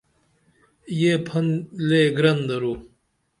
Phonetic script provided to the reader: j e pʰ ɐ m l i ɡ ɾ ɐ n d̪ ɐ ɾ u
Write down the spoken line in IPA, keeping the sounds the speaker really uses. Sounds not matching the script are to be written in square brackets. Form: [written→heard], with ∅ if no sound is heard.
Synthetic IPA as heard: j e pʰ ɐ [m→n] l [i→e] ɡ ɾ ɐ n d̪ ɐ ɾ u